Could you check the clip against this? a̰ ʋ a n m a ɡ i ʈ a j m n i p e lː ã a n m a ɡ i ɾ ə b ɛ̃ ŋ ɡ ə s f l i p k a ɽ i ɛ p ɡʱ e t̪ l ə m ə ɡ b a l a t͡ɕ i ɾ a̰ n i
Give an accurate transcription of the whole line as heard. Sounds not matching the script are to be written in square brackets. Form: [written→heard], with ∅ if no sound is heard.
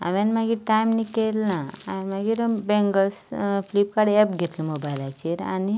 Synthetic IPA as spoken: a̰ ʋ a n m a ɡ i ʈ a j m n i [p→k] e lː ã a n m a ɡ i ɾ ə b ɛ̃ ŋ ɡ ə s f l i p k a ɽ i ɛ p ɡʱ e t̪ l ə m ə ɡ b a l a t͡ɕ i ɾ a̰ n i